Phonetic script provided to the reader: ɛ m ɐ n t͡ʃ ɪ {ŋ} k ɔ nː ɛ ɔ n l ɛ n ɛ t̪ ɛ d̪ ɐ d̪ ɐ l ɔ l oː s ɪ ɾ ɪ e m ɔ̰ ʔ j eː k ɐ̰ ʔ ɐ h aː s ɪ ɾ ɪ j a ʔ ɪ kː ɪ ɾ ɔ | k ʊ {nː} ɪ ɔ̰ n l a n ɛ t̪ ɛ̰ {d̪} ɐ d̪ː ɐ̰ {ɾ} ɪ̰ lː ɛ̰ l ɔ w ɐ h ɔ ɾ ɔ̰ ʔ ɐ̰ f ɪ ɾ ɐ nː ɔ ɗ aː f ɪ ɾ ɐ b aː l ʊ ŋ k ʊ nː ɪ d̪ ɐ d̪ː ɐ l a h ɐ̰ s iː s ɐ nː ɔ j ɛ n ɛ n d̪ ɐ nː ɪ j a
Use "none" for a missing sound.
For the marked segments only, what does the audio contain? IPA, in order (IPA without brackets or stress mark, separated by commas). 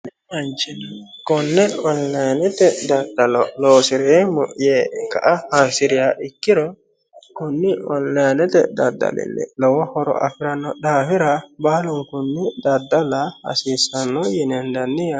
n, nː, d̪, l